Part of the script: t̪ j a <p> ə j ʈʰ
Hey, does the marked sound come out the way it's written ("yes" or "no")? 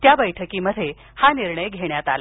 no